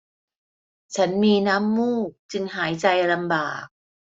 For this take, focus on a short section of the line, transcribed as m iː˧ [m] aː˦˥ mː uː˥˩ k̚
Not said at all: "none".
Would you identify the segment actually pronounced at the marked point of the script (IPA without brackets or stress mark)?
n